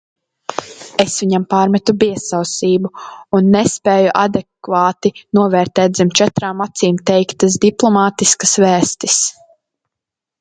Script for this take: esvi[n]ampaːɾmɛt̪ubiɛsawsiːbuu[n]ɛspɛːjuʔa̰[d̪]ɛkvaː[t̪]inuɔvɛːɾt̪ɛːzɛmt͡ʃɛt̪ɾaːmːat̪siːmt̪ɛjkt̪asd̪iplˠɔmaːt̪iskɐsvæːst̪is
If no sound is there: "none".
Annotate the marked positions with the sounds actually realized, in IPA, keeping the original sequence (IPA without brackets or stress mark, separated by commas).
ɲ, nː, d̪, t̪